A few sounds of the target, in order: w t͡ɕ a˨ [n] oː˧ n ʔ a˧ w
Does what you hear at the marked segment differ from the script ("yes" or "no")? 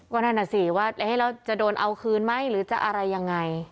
yes